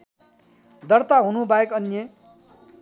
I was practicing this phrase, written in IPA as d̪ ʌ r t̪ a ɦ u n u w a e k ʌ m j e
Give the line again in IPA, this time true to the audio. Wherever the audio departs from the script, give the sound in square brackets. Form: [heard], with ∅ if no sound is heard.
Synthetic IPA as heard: d̪ ʌ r t̪ a ɦ u n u [b] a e k ʌ [n] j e